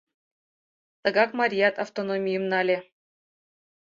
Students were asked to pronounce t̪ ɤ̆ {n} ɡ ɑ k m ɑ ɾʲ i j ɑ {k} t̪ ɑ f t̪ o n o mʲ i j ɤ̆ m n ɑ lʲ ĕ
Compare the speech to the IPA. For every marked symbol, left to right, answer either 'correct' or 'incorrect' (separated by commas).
incorrect, incorrect